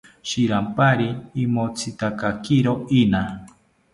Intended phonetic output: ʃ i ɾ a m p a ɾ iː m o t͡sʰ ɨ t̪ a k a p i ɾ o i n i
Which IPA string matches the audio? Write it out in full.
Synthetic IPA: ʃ i ɾ a m p a ɾ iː m o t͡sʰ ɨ t̪ a k a k i ɾ o i n a